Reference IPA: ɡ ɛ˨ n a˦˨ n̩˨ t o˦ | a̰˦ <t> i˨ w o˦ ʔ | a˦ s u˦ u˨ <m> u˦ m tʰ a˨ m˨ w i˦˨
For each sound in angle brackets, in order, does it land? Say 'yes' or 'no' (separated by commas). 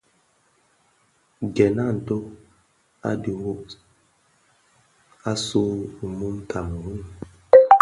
no, yes